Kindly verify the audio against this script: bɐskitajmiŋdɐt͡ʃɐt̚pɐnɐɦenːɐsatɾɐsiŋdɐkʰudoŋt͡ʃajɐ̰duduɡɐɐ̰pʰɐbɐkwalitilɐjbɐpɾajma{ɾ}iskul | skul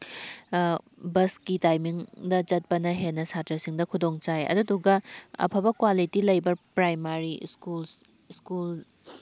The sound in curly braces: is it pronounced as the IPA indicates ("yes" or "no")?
yes